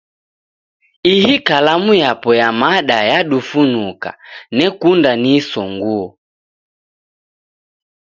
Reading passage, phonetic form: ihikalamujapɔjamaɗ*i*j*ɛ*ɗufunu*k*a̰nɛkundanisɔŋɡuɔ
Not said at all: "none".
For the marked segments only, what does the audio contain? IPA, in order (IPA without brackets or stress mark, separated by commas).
a, a, k